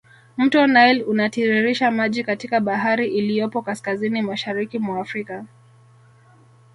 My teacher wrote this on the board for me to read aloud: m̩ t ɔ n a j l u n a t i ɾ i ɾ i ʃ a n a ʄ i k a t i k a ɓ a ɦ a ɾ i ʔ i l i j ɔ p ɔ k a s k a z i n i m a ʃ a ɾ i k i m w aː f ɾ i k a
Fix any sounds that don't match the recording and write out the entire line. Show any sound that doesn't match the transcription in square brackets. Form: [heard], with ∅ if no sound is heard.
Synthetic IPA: m̩ t ɔ n a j l u n a t i ɾ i ɾ i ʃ a [m] a ʄ i k a t i k a ɓ a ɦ a ɾ i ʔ i l i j ɔ p ɔ k a s k a z i n i m a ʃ a ɾ i k i m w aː f ɾ i k a